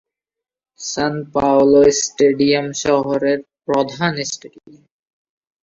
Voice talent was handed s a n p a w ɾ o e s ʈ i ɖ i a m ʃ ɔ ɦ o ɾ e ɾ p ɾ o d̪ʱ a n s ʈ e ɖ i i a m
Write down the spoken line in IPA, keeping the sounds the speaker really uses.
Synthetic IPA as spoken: s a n p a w l o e s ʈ e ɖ i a m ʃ ɔ ɦ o ɾ e ɾ p ɾ o d̪ʱ a n s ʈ e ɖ i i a m